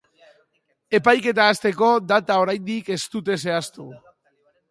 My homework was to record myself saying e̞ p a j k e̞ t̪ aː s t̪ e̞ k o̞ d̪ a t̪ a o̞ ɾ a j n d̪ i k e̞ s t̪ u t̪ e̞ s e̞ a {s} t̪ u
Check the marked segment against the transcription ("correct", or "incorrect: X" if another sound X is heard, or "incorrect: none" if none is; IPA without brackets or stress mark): correct